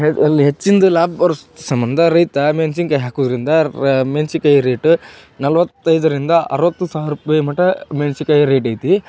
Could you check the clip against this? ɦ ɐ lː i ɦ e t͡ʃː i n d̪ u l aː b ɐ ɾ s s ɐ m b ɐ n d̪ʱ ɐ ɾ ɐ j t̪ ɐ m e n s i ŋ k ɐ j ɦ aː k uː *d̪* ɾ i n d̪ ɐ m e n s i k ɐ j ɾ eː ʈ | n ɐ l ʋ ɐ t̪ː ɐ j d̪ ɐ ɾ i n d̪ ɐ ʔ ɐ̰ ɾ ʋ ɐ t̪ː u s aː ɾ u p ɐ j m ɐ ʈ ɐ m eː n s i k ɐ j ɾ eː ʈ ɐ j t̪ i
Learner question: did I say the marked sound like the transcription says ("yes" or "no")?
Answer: yes